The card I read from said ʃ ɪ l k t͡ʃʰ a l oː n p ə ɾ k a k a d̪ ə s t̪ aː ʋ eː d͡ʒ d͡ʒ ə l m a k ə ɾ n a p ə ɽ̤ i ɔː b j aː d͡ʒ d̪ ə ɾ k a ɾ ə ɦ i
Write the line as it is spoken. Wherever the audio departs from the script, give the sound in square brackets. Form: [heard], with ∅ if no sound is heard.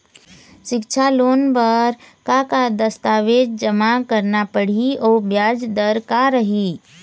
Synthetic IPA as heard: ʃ ɪ [∅] k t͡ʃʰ a l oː n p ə ɾ k a k a d̪ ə s t̪ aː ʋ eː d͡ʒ d͡ʒ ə [∅] m a k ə ɾ n a p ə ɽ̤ i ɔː b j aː d͡ʒ d̪ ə ɾ k a ɾ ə ɦ i